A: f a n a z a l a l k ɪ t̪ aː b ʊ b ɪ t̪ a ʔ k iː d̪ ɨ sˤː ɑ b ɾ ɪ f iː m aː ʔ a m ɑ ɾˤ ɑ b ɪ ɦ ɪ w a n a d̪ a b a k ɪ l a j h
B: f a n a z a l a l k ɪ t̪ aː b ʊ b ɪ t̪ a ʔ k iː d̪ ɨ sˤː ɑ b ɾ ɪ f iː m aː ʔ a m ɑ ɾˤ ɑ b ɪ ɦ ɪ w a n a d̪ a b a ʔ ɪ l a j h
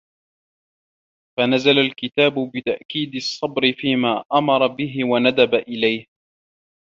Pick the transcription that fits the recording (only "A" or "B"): B